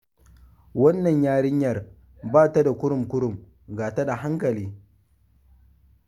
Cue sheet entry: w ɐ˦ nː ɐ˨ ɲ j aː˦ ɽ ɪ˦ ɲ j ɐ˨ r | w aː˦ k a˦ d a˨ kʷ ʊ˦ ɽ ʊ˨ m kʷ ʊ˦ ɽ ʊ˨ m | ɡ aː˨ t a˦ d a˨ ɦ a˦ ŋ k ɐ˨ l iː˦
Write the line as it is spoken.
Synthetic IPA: w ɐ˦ nː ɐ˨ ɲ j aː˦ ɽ ɪ˦ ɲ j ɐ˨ r | b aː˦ t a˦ d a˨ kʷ ʊ˦ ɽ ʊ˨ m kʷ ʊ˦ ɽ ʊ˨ m | ɡ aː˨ t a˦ d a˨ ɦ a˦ ŋ k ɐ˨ l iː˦

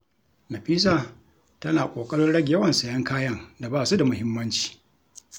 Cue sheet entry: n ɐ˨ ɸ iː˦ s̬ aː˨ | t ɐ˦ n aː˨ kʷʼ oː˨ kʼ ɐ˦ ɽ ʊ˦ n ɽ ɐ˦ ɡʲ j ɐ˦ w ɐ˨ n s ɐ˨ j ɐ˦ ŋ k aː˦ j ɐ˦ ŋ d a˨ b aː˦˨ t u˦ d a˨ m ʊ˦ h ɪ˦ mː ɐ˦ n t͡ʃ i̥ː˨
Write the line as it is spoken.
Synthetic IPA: n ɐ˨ ɸ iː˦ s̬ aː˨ | t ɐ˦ n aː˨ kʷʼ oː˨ kʼ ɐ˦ ɽ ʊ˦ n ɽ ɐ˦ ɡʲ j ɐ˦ w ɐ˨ n s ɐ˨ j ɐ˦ ŋ k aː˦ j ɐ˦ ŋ d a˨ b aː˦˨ s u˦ d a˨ m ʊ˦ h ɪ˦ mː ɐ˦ n t͡ʃ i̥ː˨

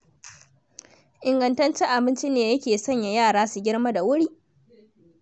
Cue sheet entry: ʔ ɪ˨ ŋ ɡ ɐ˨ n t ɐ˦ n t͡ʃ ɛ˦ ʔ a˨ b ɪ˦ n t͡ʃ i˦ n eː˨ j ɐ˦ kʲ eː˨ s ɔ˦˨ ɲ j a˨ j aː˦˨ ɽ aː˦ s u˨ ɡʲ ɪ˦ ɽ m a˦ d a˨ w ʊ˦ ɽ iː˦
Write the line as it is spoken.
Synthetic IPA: ʔ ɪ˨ ŋ ɡ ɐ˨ n t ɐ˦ n t͡ʃ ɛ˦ ʔ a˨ b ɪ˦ n t͡ʃ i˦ n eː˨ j ɐ˦ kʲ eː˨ s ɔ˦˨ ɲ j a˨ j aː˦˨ ɽ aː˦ s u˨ ɡʲ ɪ˦ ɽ m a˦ d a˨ w ʊ˦ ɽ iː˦

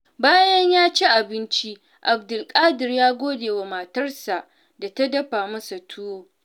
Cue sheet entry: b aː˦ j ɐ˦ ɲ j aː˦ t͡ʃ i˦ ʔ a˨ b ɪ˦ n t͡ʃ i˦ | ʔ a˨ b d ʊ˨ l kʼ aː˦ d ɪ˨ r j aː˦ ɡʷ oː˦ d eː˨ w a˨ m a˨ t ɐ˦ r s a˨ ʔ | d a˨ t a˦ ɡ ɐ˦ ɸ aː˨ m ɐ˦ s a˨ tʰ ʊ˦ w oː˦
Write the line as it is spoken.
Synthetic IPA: b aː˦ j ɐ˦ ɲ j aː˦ t͡ʃ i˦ ʔ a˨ b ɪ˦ n t͡ʃ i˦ | ʔ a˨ b d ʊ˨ l kʼ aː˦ d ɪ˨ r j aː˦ ɡʷ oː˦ d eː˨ w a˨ m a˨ t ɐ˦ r s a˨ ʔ | d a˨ t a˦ d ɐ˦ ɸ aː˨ m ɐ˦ s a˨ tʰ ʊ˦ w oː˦

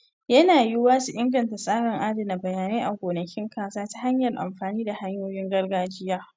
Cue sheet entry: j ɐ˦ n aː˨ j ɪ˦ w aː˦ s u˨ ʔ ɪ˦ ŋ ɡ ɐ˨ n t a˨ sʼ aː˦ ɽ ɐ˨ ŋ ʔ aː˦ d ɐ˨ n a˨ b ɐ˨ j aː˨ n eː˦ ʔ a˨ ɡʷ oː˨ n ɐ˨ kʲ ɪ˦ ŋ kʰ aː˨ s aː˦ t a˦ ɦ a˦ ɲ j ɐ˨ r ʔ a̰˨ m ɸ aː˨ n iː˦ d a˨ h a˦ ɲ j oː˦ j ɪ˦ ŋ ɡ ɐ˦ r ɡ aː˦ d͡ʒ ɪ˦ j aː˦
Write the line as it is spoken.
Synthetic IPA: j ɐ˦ n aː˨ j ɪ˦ w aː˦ s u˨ ʔ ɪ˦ ŋ ɡ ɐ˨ n t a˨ sʼ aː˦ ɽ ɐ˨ ŋ ʔ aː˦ d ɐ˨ n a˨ b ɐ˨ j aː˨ n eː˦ ʔ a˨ ɡʷ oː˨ n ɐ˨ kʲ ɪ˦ ŋ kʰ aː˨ s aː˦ t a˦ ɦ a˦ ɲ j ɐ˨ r ʔ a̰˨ m ɸ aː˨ n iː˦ d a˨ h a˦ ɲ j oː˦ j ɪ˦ ŋ ɡ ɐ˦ r ɡ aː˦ d͡ʒ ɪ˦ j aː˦

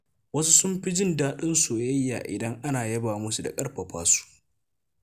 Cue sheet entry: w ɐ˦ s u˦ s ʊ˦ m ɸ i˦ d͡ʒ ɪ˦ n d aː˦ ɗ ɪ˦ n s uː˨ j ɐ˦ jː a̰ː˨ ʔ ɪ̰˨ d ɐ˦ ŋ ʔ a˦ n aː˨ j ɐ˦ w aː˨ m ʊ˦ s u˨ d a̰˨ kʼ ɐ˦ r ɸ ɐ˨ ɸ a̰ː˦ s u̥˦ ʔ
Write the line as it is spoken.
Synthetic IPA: w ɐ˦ s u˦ s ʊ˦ m ɸ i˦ d͡ʒ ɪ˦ n d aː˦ ɗ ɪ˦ n s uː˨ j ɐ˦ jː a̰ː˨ ʔ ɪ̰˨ d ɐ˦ ŋ ʔ a˦ n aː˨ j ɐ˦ b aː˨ m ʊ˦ s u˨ d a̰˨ kʼ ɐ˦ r ɸ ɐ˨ ɸ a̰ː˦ s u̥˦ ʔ

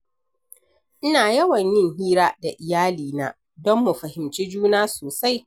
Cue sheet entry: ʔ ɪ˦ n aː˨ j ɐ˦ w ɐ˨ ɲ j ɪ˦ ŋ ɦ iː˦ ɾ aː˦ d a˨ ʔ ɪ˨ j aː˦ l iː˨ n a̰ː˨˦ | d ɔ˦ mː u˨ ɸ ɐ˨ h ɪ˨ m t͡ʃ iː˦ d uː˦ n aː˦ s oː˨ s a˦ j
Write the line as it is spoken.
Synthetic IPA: ʔ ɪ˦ n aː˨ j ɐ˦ w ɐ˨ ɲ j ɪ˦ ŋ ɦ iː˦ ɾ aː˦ d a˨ ʔ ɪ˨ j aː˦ l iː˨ n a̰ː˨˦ | d ɔ˦ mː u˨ ɸ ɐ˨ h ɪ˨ m t͡ʃ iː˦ d͡ʒ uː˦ n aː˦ s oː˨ s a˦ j

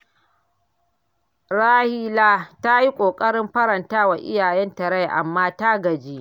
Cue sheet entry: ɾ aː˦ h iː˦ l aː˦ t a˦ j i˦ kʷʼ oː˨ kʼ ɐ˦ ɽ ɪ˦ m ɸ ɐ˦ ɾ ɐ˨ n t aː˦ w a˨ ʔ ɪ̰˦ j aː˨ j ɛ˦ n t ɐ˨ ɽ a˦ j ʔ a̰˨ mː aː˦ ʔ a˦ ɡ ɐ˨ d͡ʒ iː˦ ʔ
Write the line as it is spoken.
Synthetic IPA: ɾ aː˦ h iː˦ l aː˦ t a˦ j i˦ kʷʼ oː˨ kʼ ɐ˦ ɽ ɪ˦ m ɸ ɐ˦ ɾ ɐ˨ n t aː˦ w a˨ ʔ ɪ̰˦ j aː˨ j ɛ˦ n t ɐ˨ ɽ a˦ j ʔ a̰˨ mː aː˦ t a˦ ɡ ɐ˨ d͡ʒ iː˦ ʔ

